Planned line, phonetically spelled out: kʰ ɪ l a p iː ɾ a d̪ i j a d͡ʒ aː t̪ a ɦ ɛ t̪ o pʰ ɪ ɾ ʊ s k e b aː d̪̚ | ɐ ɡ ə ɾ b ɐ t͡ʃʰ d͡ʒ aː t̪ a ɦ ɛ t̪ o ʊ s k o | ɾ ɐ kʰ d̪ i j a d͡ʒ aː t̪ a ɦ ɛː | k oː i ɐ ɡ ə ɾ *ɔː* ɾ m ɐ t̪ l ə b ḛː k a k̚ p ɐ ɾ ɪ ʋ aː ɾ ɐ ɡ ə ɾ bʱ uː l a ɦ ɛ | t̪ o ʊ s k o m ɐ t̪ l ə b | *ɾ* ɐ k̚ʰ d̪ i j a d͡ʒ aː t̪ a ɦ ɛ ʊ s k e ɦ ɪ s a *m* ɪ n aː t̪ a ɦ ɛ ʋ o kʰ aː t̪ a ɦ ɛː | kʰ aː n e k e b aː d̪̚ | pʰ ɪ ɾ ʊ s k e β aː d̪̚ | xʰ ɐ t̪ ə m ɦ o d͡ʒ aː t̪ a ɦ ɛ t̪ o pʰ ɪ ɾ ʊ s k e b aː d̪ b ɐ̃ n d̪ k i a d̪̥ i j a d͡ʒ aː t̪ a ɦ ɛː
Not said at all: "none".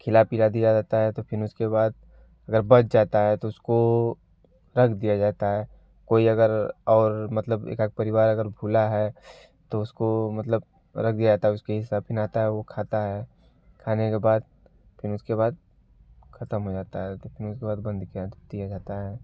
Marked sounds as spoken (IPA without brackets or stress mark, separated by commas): ɔː, ɾ, b